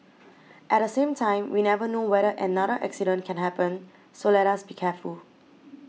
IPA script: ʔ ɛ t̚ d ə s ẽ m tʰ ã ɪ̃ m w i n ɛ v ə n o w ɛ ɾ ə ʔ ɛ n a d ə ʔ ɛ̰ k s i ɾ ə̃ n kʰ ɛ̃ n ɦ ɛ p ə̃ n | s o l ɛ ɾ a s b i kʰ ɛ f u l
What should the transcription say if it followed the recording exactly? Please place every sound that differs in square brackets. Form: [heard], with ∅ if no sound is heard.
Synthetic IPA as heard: ʔ ɛ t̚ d ə s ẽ m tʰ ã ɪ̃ m w i n ɛ v ə n o w ɛ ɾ ə ʔ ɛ n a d ə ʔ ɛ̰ k s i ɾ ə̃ n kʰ ɛ̃ n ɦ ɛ p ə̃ n | s o l ɛ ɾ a s b i kʰ ɛ f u l